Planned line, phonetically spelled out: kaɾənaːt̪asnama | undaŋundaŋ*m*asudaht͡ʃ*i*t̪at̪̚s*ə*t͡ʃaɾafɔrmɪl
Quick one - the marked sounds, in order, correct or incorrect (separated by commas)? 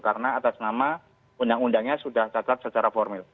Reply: incorrect, incorrect, correct